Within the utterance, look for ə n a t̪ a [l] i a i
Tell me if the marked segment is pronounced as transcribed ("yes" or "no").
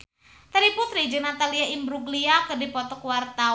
yes